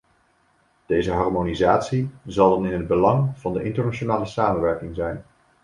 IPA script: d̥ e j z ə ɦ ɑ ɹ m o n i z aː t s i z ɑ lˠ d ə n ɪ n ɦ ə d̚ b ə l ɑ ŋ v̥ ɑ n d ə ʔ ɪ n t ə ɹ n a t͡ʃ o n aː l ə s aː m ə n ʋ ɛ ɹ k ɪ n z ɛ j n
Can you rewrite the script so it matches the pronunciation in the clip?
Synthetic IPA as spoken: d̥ e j z ə ɦ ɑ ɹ m o n i z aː t s i z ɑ lˠ d ɑ n ɪ n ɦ ə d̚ b ə l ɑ ŋ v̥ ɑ n d ə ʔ ɪ n t ə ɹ n a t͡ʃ o n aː l ə s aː m ə n ʋ ɛ ɹ k ɪ ŋ z ɛ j n